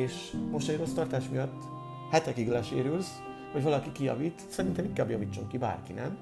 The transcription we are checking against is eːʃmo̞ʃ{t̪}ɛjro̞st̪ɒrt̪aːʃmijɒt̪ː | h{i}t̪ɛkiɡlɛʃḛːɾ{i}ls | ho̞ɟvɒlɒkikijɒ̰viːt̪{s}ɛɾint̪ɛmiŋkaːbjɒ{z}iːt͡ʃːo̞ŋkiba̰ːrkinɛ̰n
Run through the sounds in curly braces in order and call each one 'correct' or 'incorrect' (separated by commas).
correct, incorrect, incorrect, correct, incorrect